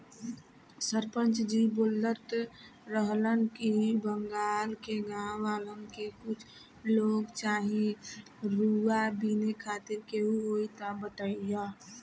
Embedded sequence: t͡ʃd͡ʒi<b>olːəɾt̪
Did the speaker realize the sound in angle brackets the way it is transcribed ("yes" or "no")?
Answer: yes